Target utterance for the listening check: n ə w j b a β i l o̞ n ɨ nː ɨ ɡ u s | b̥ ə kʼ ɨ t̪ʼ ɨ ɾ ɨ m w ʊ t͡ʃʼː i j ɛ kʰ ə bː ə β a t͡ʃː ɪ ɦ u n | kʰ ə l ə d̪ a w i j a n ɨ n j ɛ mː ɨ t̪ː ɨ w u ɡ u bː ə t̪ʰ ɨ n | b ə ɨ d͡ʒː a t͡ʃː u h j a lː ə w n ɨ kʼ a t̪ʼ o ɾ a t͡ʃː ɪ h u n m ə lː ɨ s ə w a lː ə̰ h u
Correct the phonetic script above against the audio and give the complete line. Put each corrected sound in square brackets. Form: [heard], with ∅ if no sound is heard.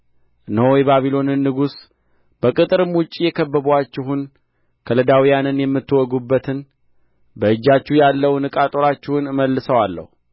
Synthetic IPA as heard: n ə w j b a β i l o̞ n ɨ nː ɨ ɡ u s | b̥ ə kʼ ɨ t̪ʼ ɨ ɾ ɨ m w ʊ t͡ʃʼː i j ɛ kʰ ə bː ə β a t͡ʃː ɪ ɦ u n | kʰ ə l ə d̪ a w i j a n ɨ n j ɛ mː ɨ t̪ː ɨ w [ɔ] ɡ u bː ə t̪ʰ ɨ n | b ə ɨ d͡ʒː a t͡ʃː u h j a lː ə w n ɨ kʼ a t̪ʼ o ɾ a t͡ʃː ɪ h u n m ə lː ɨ s ə w a lː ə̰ h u

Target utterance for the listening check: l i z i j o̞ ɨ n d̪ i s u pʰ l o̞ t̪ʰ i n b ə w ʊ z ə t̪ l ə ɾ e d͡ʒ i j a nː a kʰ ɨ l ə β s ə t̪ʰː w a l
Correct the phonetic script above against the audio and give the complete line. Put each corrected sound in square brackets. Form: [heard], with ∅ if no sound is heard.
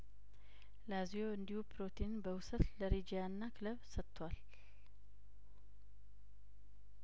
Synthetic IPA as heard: l [a] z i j o̞ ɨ n d̪ i [h] u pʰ [ɾ] o̞ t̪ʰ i n b ə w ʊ [s] ə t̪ l ə ɾ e d͡ʒ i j a nː a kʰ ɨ l ə β s ə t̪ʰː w a l

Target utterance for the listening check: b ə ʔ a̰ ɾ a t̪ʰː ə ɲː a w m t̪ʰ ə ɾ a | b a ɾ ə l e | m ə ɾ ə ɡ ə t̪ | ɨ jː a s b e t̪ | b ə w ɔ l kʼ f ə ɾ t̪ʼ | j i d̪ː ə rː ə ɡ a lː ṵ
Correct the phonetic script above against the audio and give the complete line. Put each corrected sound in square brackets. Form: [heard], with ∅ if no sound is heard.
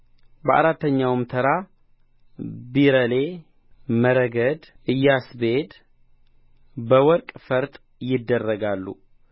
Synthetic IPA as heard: b ə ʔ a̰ ɾ a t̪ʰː ə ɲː a w m t̪ʰ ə ɾ a | b [i] ɾ ə l e | m ə ɾ ə ɡ ə [d̪] | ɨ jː a s b e [d̪] | b ə w ɔ [ɾ] kʼ f ə ɾ t̪ʼ | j [ɪ] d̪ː ə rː ə ɡ a lː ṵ

